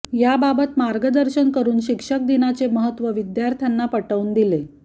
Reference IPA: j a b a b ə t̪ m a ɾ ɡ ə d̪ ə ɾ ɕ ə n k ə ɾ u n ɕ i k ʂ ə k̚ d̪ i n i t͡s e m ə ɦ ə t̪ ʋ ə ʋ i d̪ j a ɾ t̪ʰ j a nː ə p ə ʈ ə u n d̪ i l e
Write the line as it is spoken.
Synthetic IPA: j a b a b ə t̪ m a ɾ ɡ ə d̪ ə ɾ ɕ ə n k ə ɾ uː n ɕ i k ʂ ə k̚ d̪ i n a t͡s e m ə ɦ ə t̪ ʋ ə ʋ i d̪ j a ɾ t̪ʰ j a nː a p ə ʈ ə u n d̪ i l e